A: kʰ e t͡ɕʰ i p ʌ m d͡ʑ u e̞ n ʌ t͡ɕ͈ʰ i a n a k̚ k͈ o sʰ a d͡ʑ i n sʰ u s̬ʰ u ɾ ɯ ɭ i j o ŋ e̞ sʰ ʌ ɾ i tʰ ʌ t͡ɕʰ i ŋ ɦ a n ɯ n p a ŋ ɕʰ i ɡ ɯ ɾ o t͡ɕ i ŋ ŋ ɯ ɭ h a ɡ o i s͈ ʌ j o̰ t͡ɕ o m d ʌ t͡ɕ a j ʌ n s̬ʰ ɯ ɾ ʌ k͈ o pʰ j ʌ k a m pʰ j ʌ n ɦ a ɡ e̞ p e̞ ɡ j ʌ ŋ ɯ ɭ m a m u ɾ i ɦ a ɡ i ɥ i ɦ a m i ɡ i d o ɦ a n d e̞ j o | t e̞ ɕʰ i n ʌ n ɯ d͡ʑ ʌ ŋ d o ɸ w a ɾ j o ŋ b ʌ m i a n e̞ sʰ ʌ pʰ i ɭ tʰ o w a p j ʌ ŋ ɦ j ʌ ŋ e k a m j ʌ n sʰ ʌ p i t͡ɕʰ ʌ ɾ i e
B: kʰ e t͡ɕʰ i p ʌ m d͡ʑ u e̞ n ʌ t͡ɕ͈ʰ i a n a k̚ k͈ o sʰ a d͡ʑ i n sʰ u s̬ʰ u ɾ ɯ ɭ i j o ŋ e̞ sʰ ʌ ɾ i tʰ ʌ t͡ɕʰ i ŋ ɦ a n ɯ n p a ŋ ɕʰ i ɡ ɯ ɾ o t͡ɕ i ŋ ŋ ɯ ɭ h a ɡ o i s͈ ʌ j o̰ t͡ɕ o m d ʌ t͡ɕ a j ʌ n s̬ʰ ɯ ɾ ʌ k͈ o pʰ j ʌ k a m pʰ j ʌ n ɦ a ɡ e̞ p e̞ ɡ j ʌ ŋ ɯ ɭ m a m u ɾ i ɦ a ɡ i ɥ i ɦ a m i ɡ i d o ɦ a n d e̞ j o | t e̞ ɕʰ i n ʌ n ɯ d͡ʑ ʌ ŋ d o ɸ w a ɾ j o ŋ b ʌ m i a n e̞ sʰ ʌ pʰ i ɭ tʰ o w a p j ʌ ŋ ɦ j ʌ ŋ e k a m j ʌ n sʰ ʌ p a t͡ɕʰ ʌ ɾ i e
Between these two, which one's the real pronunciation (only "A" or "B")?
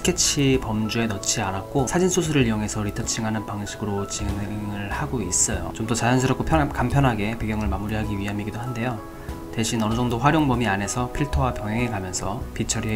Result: A